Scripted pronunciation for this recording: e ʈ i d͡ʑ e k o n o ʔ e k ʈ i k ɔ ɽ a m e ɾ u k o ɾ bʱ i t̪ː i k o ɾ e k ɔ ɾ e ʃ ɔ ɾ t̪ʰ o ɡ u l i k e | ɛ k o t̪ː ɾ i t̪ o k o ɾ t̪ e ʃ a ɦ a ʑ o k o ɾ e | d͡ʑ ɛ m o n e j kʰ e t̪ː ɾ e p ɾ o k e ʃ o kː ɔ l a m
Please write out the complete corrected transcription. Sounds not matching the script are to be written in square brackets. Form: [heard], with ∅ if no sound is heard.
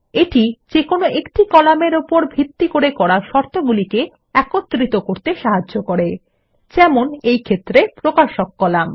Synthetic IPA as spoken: e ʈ i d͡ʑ e k o n o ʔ e k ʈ i k ɔ [l] a m e ɾ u [p] o ɾ bʱ i t̪ː i k o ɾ e k ɔ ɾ [a] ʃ ɔ ɾ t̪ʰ o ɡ u l i k e | ɛ k o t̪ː ɾ i t̪ o k o ɾ t̪ e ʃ a ɦ a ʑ o k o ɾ e | d͡ʑ ɛ m o n e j kʰ e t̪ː ɾ e p ɾ o k [a] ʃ o kː ɔ l a m

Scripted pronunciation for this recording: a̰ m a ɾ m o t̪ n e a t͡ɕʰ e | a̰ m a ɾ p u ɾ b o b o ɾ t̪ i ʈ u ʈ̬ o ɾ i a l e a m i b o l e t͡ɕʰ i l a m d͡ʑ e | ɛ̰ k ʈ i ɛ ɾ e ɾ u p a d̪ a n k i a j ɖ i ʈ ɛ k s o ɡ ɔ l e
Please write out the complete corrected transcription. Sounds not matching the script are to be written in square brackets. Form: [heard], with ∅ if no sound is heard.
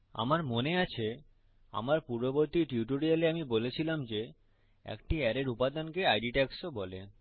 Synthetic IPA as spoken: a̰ m a ɾ m o [∅] n e a t͡ɕʰ e | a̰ m a ɾ p u ɾ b o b o ɾ t̪ i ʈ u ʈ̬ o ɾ i a l e a m i b o l e t͡ɕʰ i l a m d͡ʑ e | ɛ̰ k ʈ i ɛ ɾ e ɾ u p a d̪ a n k [e] a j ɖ i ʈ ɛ k s o [b] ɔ l e

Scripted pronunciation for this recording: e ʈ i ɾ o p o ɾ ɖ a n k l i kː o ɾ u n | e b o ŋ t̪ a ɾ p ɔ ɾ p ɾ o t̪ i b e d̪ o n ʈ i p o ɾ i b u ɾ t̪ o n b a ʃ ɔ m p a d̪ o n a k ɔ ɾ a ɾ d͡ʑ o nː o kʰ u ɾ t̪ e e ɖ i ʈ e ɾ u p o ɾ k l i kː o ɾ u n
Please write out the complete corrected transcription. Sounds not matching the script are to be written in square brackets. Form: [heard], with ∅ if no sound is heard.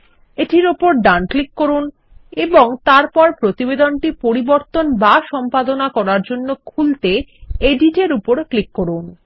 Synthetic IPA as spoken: e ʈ i ɾ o p o ɾ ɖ a n k l i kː o ɾ u n | e b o ŋ t̪ a ɾ p ɔ ɾ p ɾ o t̪ i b e d̪ o n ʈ i p o ɾ i b [o] ɾ t̪ o n b a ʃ ɔ m p a d̪ o n a k ɔ ɾ a ɾ d͡ʑ o nː o kʰ u [l] t̪ e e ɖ i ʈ e ɾ u p o ɾ k l i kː o ɾ u n

